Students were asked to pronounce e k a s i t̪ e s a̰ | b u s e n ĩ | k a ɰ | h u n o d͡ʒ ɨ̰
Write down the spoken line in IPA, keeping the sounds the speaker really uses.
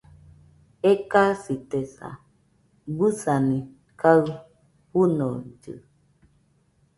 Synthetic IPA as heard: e k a s i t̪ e s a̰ | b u s a n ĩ | k a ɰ | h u n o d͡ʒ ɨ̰